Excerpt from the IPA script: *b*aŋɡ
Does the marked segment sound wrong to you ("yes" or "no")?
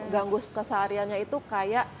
yes